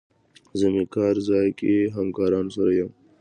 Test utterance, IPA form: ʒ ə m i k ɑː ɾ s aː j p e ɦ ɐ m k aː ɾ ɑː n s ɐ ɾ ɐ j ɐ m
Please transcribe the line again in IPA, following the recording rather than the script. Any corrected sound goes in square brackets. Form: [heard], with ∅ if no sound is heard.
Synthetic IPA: [z] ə m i k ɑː ɾ [z] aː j [k] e ɦ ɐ m k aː ɾ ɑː n s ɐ ɾ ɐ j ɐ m